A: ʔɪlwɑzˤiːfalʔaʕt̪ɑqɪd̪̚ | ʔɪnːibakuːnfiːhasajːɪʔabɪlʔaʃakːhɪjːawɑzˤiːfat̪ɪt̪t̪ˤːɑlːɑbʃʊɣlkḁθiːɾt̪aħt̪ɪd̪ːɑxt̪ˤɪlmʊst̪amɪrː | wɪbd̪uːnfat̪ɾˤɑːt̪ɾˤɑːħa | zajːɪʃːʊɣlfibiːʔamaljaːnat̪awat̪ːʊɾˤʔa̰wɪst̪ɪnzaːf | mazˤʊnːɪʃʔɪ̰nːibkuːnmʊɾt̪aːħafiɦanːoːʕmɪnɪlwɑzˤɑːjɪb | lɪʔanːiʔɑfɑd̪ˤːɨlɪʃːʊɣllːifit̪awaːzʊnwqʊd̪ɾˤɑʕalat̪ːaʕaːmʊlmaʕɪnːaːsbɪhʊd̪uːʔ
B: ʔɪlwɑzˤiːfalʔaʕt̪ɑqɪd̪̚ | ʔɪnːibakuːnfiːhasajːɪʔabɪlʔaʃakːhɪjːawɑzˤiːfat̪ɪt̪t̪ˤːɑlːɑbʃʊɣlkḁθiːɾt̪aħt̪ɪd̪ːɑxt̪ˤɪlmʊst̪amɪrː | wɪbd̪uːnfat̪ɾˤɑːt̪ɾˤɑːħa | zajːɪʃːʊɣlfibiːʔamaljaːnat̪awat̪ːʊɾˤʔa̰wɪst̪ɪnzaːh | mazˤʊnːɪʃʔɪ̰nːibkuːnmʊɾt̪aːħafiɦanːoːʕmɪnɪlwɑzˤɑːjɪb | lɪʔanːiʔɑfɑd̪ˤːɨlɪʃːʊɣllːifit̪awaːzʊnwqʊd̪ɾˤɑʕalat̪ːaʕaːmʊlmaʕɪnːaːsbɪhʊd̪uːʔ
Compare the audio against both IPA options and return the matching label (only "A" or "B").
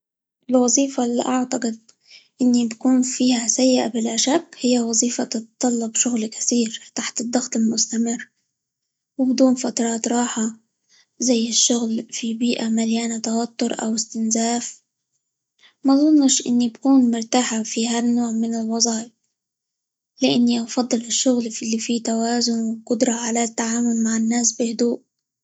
A